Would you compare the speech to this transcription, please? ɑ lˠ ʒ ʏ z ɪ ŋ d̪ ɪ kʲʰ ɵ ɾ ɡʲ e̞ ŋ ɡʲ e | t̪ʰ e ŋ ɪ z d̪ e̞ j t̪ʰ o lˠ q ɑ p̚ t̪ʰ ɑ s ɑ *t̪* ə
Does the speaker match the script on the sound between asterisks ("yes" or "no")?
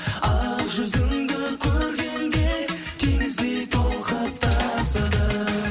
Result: no